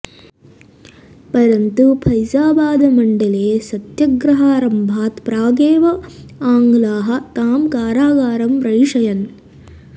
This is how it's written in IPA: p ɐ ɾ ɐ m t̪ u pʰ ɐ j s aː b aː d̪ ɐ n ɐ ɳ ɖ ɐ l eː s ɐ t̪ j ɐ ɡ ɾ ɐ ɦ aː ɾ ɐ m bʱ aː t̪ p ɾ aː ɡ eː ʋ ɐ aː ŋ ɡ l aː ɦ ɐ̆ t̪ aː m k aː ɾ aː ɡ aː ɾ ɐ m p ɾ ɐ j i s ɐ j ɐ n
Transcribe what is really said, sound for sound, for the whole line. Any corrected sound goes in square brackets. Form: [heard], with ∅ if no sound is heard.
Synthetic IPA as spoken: p ɐ ɾ ɐ [n] t̪ u pʰ ɐ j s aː b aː d̪ ɐ [m] ɐ ɳ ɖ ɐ l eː s ɐ t̪ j ɐ ɡ ɾ ɐ ɦ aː ɾ ɐ m bʱ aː t̪ p ɾ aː ɡ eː ʋ ɐ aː ŋ ɡ l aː ɦ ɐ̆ t̪ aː m k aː ɾ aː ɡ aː ɾ ɐ m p ɾ ɐ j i [ʂ] ɐ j ɐ n